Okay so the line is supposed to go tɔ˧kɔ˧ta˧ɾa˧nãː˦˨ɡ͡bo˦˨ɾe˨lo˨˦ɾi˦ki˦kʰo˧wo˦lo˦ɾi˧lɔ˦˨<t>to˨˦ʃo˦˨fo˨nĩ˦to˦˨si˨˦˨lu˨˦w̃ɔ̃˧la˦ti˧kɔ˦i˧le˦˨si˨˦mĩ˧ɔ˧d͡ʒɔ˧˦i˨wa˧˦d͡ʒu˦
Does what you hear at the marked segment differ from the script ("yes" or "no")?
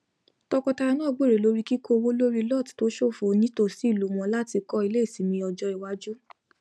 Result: no